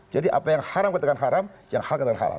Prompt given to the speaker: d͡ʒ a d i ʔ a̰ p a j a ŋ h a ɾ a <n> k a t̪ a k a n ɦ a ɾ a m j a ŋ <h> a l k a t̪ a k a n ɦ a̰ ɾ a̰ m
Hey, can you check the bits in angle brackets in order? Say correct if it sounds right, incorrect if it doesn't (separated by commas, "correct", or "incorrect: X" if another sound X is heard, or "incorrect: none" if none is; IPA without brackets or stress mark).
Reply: incorrect: m, correct